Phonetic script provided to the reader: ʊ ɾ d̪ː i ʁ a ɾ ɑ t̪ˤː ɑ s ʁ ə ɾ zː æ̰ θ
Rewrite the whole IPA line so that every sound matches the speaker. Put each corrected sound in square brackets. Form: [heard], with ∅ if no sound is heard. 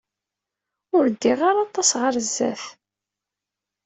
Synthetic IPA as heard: ʊ ɾ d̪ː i ʁ a ɾ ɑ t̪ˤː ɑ s ʁ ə ɾ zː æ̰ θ